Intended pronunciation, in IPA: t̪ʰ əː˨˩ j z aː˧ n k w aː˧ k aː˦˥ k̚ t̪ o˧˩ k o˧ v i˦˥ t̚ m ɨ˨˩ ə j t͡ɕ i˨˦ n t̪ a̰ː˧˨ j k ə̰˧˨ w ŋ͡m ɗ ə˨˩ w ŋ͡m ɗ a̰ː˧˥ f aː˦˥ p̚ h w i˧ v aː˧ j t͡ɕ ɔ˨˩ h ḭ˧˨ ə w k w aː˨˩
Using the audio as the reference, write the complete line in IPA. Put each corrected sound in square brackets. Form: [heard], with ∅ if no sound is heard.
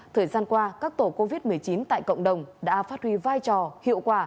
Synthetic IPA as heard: t̪ʰ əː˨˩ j z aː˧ n k w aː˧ k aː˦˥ k̚ t̪ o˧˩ k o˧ v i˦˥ t̚ m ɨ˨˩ ə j t͡ɕ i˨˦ n t̪ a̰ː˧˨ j k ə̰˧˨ w ŋ͡m ɗ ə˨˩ w ŋ͡m ɗ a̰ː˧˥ f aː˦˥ [t̚] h w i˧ v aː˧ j t͡ɕ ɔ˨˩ h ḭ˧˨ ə w k w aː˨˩